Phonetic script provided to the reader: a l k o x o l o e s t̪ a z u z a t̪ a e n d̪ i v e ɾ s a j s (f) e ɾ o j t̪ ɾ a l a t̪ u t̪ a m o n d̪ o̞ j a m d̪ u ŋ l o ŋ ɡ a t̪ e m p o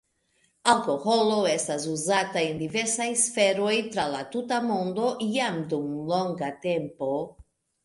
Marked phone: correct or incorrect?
correct